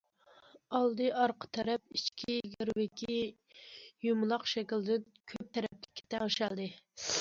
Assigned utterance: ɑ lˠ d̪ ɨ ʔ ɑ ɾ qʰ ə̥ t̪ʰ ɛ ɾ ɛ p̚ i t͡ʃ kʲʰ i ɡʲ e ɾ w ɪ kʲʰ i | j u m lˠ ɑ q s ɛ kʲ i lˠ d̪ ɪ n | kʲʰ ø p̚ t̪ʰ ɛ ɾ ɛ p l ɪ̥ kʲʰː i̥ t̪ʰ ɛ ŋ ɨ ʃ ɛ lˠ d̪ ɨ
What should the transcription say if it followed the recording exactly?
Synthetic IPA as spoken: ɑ lˠ d̪ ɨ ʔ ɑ ɾ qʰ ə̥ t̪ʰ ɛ ɾ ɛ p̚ i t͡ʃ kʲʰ i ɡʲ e ɾ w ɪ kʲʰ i | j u m lˠ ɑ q ʃ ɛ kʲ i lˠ d̪ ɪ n | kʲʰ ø p̚ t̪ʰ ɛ ɾ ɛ p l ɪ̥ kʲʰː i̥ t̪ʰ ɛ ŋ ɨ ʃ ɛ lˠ d̪ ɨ

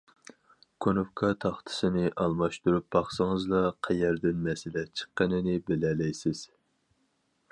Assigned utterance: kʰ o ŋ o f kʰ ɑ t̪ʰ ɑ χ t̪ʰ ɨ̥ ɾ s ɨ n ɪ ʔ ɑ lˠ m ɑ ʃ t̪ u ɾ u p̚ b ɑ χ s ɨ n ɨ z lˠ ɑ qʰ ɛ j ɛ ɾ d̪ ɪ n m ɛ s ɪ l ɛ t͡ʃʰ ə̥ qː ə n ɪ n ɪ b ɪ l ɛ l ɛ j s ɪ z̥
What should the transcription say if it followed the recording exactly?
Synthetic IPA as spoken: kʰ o n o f kʰ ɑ t̪ʰ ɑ χ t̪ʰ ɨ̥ s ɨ n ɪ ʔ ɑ lˠ m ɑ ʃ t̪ u ɾ u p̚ b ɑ χ s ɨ ŋ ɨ z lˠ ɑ qʰ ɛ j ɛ ɾ d̪ ɪ n m ɛ s ɪ l ɛ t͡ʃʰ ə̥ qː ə n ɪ n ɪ b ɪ l ɛ l ɛ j s ɪ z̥

